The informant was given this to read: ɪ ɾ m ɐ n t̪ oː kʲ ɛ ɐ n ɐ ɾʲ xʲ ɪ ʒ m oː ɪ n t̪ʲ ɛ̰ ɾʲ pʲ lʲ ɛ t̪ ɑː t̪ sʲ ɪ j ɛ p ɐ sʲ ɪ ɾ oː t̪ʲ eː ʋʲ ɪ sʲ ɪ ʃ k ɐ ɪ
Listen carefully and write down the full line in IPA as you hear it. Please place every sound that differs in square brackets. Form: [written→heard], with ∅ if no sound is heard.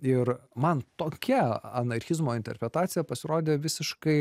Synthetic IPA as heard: ɪ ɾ m ɐ n t̪ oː kʲ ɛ ɐ n ɐ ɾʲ xʲ ɪ [ʒ→z] m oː ɪ n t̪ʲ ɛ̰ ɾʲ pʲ [lʲ→ɾʲ] ɛ t̪ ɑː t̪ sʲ ɪ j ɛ p ɐ sʲ ɪ ɾ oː [t̪ʲ→d̪ʲ] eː ʋʲ ɪ sʲ ɪ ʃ k ɐ ɪ

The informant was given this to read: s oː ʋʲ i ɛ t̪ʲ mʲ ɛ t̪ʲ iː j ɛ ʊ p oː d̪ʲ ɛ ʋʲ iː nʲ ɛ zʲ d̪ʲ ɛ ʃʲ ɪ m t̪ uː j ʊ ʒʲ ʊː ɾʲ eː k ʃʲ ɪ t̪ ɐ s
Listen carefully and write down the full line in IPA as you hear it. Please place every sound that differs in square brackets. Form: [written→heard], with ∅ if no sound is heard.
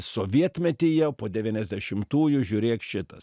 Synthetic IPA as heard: s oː ʋʲ i ɛ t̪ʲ mʲ ɛ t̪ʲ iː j ɛ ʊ p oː d̪ʲ ɛ ʋʲ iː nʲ ɛ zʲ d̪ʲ ɛ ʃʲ ɪ m t̪ uː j ʊ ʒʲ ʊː ɾʲ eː k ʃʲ ɪ t̪ ɐ s

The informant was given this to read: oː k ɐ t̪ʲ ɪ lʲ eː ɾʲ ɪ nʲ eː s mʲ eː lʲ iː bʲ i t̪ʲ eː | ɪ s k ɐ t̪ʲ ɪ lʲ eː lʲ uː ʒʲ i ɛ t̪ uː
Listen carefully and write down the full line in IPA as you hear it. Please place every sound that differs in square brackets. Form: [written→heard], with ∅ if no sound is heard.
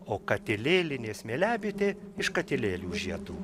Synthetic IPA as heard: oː k ɐ t̪ʲ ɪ lʲ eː [ɾʲ→lʲ] ɪ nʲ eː s mʲ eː lʲ [iː→æː] bʲ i t̪ʲ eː | ɪ [s→ʃ] k ɐ t̪ʲ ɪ lʲ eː lʲ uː ʒʲ i ɛ t̪ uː

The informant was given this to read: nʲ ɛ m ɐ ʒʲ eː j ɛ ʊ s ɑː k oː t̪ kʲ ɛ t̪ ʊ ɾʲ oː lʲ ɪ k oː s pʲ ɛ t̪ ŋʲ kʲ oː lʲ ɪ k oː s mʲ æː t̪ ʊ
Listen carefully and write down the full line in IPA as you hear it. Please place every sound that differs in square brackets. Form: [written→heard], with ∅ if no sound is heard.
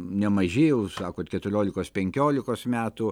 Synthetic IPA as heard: nʲ ɛ m ɐ ʒʲ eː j ɛ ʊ s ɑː k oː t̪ kʲ ɛ t̪ ʊ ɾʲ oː lʲ ɪ k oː s pʲ ɛ [t̪→∅] ŋʲ kʲ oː lʲ ɪ k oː s mʲ æː t̪ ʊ

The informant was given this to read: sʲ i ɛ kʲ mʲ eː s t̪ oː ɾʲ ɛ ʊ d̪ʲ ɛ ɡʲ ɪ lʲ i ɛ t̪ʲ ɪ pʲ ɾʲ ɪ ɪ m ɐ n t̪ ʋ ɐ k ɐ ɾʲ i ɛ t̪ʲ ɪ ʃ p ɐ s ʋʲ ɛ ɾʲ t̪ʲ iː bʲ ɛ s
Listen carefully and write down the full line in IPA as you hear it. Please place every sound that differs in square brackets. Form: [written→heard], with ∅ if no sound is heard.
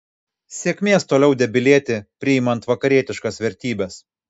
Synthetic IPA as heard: sʲ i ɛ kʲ mʲ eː s t̪ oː [ɾʲ→lʲ] ɛ ʊ d̪ʲ ɛ [ɡʲ→bʲ] ɪ lʲ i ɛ t̪ʲ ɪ pʲ ɾʲ ɪ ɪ m ɐ n t̪ ʋ ɐ k ɐ ɾʲ i ɛ t̪ʲ ɪ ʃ [p→k] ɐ s ʋʲ ɛ ɾʲ t̪ʲ iː bʲ ɛ s

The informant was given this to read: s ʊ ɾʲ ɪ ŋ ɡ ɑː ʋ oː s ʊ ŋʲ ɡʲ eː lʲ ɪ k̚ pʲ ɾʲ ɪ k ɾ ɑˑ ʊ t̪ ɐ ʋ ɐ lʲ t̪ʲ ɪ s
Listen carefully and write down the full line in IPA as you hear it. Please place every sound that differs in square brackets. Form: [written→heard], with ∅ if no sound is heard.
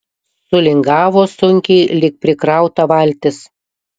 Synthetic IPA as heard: s ʊ [ɾʲ→lʲ] ɪ ŋ ɡ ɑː ʋ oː s ʊ ŋʲ [ɡʲ→kʲ] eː lʲ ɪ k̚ pʲ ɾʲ ɪ k ɾ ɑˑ ʊ t̪ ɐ ʋ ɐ lʲ t̪ʲ ɪ s

